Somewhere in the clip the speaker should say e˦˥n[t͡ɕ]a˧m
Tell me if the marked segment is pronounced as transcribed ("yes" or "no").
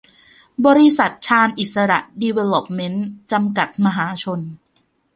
yes